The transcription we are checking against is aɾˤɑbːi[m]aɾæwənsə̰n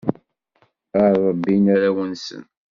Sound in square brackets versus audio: incorrect: n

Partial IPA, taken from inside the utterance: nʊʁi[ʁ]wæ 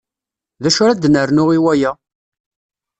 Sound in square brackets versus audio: incorrect: none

